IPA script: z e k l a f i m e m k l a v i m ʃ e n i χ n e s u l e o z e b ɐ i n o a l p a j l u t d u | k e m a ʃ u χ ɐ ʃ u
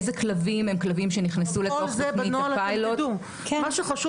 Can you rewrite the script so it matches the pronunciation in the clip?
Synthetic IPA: z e k l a v i m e m k l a v i m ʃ e n i χ n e s u l e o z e b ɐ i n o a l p a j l o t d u | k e m a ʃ u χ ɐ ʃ u

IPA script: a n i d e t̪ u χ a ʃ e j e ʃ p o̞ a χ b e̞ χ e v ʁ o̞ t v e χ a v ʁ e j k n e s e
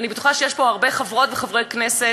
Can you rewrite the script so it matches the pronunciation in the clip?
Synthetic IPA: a n i b e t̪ u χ a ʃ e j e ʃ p o̞ a ʁ b e̞ χ a v ʁ o̞ t v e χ a v ʁ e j k n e s e

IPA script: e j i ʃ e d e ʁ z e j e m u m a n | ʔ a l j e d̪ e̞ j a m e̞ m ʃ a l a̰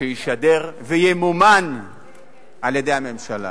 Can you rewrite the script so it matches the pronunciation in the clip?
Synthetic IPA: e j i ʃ a d e ʁ v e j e m u m a n | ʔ a l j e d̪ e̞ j a m e̞ m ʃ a l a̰

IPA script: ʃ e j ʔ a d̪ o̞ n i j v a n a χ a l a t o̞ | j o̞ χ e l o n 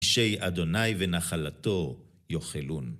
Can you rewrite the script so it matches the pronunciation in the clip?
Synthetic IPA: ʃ e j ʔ a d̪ o̞ n a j v e n a χ a l a t o̞ | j o̞ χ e l u n

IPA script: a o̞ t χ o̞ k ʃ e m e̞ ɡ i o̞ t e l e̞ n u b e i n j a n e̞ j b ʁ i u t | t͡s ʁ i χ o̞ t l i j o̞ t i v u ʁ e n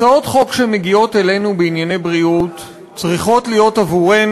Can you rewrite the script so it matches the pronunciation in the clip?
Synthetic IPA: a o̞ t χ o̞ k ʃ e m e̞ ɡ i o̞ t e l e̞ n u b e i n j a n e̞ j b ʁ i u t | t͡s ʁ i χ o̞ t l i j o̞ t a v u ʁ e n

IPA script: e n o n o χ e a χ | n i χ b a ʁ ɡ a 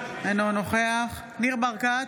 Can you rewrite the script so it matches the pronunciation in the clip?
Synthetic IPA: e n o n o χ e a χ | n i ʁ b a ʁ k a

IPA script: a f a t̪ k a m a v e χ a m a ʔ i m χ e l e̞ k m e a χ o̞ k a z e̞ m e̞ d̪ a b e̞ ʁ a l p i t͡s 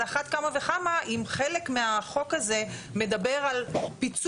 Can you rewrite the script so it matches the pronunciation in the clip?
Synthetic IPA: a χ a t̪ k a m a v e χ a m a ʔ i m χ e l e̞ k m e a χ o̞ k a z e̞ m e̞ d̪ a b e̞ ʁ a l p i t͡s

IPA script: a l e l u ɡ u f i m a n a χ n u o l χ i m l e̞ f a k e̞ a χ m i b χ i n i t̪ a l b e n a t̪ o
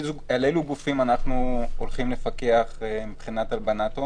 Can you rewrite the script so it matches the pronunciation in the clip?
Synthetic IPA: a l e l u ɡ u f i m a n a χ n u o l χ i m l e̞ f a k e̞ a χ m i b χ i n a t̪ a l b a n a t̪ o

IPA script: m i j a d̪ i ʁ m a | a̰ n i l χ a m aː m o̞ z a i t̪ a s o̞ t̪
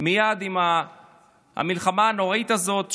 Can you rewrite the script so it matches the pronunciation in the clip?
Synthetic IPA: m i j a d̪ i m a | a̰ m i l χ a m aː n o̞ ʁ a i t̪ a z o̞ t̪

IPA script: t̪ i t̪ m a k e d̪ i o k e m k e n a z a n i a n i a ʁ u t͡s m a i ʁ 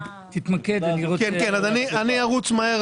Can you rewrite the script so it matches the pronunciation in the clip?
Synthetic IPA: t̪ i t̪ m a k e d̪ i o k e n k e n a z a n i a n i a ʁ u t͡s m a e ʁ

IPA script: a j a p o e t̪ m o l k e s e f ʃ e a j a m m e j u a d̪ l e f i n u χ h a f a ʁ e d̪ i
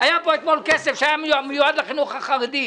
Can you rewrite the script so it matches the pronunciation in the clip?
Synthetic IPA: a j a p o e t̪ m o l k e s e f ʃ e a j a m m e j u a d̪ l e χ i n u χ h a χ a ʁ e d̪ i

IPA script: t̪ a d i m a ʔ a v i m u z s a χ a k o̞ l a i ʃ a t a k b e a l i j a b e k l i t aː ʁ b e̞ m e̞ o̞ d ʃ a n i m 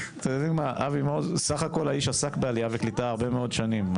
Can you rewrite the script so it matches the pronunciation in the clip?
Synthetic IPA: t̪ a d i m a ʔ a v i m o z s a χ a k o̞ l a i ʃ a s a k b e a l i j a v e k l i t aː ʁ b e̞ m e̞ o̞ d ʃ a n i m

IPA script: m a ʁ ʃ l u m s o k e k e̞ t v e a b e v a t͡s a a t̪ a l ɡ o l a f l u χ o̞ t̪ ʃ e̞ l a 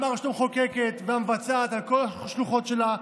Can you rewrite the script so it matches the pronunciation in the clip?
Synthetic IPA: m a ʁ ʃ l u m χ o k e k e̞ t v e a m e v a t͡s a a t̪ a l k o l a ʃ l u χ o̞ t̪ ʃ e̞ l a

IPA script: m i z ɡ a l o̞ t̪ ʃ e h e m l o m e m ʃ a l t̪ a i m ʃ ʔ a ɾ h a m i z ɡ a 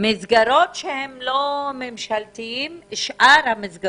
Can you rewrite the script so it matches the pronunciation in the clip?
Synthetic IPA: m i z ɡ a ɾ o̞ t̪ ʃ e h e m l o m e m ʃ a l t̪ i i m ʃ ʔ a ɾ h a m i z ɡ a

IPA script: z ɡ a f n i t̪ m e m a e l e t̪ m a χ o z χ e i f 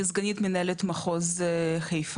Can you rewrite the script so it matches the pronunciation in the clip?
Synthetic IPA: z ɡ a n i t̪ m e n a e l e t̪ m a χ o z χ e j f

